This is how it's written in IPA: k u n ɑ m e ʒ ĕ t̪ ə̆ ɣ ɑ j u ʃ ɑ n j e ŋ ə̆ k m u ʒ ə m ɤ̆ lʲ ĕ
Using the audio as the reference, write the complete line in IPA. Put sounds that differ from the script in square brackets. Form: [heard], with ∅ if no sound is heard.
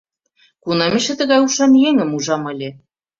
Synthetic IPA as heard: k u n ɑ m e [ʃ] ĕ t̪ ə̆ ɣ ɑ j u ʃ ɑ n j e ŋ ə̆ [∅] m u ʒ [ɑ] m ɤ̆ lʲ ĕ